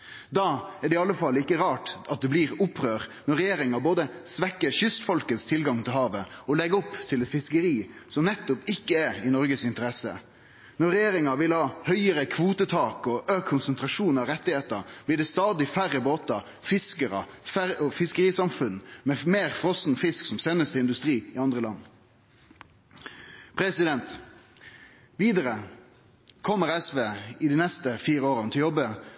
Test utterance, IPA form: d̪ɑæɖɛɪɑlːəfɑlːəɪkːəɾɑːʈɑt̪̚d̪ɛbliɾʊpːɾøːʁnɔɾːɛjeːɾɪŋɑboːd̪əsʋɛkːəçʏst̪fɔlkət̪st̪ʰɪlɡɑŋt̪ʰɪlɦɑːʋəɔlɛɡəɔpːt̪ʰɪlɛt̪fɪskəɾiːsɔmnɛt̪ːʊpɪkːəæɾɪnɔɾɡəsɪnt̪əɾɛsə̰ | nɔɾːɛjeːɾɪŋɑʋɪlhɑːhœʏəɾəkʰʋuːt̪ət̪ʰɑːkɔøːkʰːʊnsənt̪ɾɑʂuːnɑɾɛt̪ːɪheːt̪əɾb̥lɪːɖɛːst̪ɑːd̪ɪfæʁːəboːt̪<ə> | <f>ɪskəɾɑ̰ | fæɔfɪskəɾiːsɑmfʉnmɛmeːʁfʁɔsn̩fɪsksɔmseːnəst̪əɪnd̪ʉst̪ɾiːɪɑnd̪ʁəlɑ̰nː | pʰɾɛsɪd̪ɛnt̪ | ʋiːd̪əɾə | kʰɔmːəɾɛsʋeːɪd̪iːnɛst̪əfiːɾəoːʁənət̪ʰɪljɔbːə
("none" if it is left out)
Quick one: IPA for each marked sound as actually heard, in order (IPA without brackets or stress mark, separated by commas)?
ɑ, f